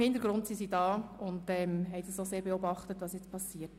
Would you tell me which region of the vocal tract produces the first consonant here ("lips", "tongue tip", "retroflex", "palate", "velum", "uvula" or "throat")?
throat